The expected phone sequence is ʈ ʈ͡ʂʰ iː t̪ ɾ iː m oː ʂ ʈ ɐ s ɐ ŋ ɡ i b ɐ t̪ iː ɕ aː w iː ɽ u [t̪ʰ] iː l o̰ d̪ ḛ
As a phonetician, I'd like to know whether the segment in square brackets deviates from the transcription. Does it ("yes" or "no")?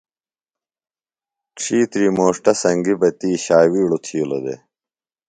no